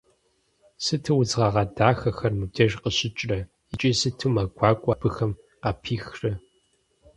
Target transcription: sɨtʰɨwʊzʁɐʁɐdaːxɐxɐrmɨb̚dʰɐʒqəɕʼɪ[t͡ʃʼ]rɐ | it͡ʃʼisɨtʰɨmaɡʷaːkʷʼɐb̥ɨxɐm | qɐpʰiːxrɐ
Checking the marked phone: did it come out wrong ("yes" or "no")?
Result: no